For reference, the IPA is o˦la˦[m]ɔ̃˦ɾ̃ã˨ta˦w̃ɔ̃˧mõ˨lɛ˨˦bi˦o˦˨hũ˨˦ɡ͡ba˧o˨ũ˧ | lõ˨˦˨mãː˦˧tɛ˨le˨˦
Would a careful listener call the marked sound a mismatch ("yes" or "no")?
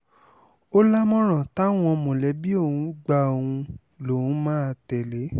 no